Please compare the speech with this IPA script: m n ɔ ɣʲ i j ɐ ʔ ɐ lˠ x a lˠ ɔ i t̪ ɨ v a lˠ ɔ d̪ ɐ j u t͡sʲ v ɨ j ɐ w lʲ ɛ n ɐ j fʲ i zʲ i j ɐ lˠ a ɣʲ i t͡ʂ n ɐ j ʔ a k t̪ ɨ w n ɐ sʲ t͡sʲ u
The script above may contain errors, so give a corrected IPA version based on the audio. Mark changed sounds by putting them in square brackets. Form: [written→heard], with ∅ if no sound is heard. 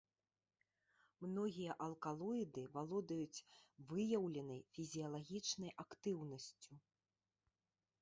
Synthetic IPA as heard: m n ɔ ɣʲ i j ɐ ʔ ɐ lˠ [x→k] a lˠ ɔ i [t̪→d̪] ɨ v a lˠ ɔ d̪ ɐ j u t͡sʲ v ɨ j ɐ w lʲ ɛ n ɐ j fʲ i zʲ i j ɐ lˠ a ɣʲ i t͡ʂ n ɐ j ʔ a k t̪ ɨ w n ɐ sʲ t͡sʲ u